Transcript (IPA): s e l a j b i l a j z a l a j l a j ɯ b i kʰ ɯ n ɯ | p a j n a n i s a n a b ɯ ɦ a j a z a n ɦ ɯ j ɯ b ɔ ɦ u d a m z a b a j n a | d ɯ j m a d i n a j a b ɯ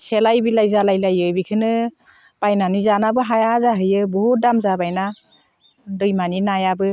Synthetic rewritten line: s e l a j b i l a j z a l a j l a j ɯ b i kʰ ɯ n ɯ | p a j n a n i z a n a b ɯ ɦ a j a z a ɦ ɯ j ɯ b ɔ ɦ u d a m z a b a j n a | d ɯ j m a n i n a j a b ɯ